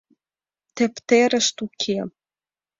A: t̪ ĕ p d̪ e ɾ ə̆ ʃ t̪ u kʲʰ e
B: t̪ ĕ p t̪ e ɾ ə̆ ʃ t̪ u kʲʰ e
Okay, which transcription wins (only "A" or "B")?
B